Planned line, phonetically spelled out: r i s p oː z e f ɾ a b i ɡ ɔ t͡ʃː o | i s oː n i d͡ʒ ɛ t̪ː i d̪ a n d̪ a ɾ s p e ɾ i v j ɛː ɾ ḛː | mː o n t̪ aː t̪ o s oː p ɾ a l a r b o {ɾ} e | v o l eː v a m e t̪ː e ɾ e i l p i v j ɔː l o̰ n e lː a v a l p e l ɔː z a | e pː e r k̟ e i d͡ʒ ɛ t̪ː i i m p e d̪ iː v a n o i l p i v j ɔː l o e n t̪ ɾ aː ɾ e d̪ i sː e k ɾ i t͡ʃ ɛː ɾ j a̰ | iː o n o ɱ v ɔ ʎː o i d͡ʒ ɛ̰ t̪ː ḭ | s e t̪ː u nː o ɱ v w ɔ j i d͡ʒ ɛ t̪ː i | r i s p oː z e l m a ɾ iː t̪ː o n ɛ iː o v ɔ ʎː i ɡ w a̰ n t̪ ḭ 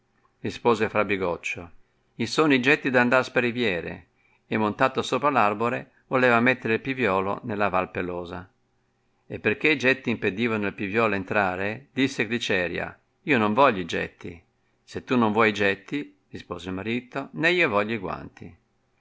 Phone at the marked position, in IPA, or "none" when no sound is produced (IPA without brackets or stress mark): ɾ